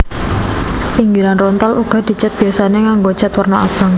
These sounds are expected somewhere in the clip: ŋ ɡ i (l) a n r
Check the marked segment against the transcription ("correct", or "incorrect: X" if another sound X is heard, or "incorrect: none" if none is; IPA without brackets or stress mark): incorrect: ɾ